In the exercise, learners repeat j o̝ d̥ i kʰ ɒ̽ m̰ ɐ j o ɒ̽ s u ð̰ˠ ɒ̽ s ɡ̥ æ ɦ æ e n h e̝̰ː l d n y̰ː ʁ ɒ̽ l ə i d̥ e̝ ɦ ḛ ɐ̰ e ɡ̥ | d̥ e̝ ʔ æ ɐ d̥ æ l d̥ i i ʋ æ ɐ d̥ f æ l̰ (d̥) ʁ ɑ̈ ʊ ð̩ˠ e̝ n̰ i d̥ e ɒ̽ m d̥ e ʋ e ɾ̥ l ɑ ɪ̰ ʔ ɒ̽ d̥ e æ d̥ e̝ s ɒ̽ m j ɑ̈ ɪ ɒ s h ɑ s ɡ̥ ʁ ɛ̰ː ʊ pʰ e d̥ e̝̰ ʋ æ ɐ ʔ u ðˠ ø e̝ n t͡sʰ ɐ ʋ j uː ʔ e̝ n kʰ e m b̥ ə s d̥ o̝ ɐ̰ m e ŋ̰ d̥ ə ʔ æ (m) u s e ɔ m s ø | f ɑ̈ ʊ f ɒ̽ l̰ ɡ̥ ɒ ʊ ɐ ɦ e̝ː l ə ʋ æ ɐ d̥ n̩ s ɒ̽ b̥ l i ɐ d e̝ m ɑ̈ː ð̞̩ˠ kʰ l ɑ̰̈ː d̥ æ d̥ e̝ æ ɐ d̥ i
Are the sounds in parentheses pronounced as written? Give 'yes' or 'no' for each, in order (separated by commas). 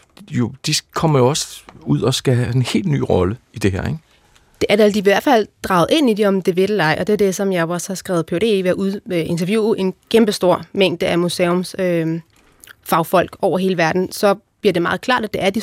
yes, yes